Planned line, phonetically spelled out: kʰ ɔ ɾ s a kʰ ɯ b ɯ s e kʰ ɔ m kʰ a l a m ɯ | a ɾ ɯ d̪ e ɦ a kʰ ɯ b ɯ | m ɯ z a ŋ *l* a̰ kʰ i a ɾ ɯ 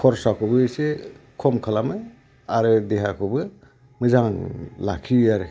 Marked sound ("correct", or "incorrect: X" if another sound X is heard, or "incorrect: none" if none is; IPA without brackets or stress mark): correct